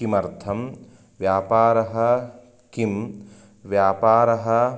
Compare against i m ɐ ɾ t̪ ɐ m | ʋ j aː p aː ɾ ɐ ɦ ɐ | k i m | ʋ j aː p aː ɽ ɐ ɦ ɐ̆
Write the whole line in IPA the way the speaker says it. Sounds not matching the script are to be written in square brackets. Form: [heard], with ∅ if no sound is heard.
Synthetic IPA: i m ɐ ɾ [t̪ʰ] ɐ m | ʋ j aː p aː ɾ ɐ ɦ ɐ | k i m | ʋ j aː p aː [ɾ] ɐ ɦ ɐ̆